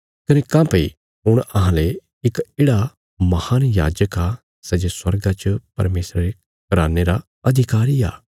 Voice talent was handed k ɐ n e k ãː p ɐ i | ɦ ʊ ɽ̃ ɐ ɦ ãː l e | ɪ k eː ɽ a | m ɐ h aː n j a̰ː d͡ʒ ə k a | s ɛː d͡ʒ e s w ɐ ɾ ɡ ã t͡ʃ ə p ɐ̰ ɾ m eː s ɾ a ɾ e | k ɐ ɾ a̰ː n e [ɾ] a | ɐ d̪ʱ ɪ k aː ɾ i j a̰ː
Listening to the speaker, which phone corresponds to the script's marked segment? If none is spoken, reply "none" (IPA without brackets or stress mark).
ɾ